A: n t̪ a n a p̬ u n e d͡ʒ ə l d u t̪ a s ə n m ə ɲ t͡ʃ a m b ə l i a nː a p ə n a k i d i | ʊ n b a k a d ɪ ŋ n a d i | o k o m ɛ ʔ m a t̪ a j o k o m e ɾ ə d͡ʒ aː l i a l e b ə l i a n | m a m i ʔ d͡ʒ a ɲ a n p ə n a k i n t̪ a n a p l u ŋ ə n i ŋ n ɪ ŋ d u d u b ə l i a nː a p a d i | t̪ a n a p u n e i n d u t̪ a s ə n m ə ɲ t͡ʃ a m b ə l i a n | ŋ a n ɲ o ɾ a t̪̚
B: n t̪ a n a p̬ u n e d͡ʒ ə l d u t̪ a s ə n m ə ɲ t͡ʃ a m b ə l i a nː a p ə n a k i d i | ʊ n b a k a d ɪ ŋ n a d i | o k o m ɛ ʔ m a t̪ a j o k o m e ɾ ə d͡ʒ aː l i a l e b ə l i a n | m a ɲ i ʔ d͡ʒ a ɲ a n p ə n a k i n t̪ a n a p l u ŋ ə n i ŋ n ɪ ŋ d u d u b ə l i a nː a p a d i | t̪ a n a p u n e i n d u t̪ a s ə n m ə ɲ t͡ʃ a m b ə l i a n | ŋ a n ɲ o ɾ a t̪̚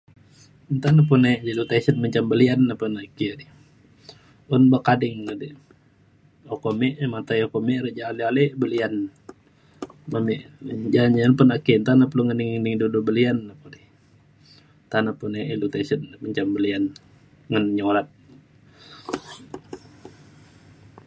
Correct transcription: A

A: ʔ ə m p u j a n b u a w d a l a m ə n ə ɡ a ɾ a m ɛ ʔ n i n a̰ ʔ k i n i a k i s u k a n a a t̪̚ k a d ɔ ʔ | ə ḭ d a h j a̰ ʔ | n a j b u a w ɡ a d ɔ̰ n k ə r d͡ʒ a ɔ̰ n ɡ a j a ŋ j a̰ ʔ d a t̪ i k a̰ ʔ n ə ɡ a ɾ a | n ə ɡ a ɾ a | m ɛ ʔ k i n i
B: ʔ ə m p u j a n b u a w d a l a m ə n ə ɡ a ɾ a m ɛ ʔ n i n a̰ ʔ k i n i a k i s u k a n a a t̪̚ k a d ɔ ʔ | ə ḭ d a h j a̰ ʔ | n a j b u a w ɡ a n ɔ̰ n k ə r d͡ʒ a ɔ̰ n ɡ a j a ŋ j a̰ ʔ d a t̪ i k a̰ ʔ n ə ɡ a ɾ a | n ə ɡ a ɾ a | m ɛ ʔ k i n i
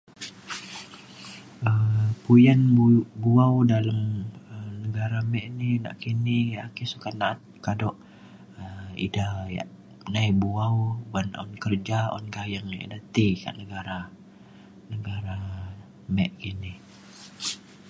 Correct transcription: B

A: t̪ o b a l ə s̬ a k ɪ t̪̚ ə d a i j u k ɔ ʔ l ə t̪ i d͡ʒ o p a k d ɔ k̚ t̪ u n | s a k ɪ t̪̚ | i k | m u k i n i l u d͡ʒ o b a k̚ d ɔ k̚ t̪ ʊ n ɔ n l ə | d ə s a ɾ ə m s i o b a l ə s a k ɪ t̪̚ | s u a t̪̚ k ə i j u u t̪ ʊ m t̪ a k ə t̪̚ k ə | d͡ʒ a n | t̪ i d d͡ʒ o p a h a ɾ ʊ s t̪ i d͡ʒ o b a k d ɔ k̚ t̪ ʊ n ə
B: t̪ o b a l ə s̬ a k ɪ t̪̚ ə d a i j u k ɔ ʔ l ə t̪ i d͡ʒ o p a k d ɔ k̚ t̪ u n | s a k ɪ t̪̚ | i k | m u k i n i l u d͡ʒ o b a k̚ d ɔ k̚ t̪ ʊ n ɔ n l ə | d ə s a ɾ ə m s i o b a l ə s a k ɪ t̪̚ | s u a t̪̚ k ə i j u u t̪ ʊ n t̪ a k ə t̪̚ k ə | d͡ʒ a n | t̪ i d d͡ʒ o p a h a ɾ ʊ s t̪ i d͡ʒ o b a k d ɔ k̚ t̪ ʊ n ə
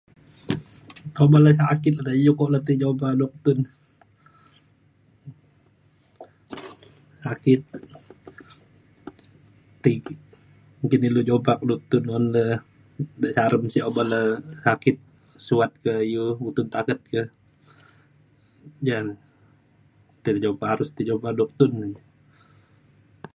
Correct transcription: B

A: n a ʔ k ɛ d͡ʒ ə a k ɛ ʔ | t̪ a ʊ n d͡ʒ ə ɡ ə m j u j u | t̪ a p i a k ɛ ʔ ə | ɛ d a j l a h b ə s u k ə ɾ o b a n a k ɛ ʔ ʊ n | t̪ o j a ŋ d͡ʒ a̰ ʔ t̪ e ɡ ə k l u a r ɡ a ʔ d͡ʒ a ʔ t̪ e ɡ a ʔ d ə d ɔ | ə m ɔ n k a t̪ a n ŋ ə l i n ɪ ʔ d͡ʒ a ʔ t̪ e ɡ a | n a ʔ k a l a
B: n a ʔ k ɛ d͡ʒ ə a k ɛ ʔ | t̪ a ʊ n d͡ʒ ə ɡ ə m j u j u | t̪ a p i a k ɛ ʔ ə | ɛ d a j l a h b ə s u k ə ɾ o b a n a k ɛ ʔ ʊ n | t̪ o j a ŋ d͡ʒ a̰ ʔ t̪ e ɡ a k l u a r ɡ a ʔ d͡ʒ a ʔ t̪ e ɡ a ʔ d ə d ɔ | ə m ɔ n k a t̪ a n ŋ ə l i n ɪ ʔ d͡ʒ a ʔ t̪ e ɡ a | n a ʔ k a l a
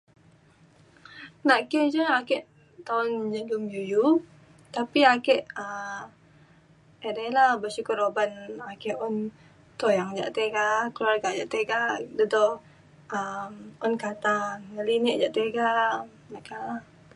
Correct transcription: B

